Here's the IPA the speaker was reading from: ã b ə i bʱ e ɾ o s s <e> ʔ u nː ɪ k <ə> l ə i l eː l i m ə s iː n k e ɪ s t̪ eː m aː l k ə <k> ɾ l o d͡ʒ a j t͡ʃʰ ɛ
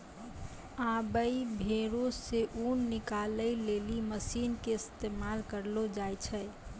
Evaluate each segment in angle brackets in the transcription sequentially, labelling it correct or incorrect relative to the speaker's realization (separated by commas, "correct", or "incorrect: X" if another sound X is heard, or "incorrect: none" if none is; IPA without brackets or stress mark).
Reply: correct, incorrect: a, incorrect: none